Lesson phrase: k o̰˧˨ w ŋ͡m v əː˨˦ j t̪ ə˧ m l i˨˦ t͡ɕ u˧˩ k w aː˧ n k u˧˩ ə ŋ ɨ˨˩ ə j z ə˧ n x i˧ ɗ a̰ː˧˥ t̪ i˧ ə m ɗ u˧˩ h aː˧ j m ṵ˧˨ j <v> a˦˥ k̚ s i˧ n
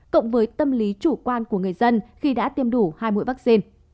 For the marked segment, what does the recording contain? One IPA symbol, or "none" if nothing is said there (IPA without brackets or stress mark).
v